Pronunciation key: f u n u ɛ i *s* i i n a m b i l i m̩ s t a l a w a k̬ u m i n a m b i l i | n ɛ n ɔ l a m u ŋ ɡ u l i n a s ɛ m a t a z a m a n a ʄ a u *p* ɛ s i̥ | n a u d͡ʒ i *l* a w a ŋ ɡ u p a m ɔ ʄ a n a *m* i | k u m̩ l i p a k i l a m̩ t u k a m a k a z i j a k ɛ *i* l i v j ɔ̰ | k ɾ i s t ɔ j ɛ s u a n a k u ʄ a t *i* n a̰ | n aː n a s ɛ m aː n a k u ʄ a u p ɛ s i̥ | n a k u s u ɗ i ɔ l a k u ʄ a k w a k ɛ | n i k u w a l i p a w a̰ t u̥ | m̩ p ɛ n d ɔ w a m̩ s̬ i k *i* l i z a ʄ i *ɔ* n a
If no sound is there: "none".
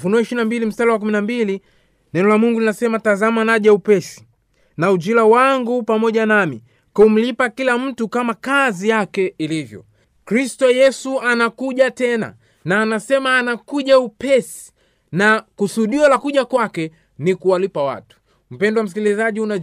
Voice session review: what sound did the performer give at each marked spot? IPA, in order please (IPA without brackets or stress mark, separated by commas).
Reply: ʃ, p, l, m, i, ɛ, i, u